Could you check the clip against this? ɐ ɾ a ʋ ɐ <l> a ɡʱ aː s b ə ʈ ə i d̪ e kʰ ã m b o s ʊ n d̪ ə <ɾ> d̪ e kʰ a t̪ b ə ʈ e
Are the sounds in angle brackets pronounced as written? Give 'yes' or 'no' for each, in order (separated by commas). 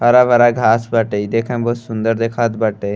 no, yes